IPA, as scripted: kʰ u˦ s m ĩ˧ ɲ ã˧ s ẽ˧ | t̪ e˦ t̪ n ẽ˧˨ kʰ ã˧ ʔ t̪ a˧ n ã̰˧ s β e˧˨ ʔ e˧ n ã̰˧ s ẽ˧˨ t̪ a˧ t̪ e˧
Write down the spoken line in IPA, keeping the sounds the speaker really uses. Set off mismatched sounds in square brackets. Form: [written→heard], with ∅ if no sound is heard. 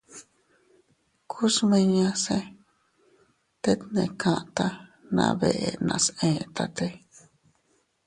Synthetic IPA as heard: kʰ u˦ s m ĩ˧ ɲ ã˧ s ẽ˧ | t̪ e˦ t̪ n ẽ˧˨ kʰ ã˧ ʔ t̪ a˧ n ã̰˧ [s→∅] β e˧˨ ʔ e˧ n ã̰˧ s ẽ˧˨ t̪ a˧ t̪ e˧